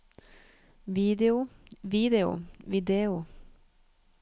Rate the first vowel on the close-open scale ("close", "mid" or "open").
close